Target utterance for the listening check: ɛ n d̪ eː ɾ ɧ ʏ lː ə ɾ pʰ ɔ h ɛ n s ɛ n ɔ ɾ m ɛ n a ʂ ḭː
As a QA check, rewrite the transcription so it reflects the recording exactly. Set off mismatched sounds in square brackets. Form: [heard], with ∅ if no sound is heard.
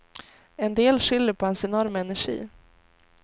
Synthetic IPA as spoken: ɛ n d̪ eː [l] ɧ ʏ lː ə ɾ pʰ ɔ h ɛ n s ɛ n ɔ ɾ m ɛ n [æ] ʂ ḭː